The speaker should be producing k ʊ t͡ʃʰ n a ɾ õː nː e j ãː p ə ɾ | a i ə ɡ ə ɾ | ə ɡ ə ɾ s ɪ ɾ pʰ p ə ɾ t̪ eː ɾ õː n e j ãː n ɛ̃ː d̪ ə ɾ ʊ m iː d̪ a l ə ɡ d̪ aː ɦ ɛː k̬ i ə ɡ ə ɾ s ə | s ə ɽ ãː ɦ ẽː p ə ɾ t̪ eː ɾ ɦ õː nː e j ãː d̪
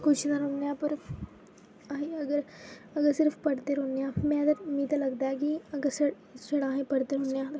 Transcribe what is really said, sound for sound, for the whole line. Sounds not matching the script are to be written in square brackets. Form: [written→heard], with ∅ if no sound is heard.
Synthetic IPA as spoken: k ʊ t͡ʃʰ n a ɾ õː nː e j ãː p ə ɾ | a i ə ɡ ə ɾ | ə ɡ ə ɾ s ɪ ɾ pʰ p ə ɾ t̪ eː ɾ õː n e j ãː [n→m] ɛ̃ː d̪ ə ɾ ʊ m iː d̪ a l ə ɡ d̪ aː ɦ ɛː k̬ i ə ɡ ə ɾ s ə | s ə ɽ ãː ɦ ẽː p ə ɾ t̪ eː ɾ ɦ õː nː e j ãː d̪